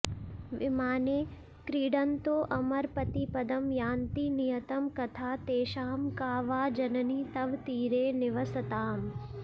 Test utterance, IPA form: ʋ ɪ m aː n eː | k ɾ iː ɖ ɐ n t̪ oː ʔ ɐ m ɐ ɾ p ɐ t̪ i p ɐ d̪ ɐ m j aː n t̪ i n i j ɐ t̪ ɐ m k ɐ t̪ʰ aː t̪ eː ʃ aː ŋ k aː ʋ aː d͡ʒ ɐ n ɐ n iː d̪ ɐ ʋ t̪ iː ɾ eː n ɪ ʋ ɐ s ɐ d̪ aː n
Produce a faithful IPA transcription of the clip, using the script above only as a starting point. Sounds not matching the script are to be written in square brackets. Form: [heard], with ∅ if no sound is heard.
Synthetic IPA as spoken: ʋ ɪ m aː n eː | k ɾ iː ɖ ɐ n t̪ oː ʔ ɐ m ɐ ɾ p ɐ t̪ i p ɐ d̪ ɐ m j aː n t̪ i n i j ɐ t̪ ɐ m k ɐ t̪ʰ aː t̪ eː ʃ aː [m] k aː ʋ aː d͡ʒ ɐ n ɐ n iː [t̪] ɐ ʋ t̪ iː ɾ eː n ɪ ʋ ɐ s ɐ [t̪] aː [m]